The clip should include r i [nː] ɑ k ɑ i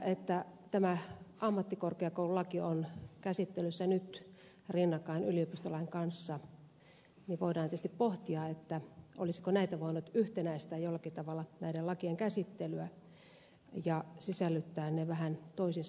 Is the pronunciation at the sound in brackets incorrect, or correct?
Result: correct